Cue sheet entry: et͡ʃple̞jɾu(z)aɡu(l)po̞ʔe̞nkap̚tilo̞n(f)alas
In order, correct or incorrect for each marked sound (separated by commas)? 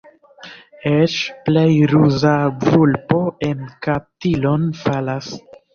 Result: correct, correct, correct